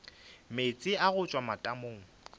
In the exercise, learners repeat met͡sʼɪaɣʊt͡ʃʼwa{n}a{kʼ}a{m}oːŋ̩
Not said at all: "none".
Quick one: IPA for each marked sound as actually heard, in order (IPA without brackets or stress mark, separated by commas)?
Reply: m, tʼ, m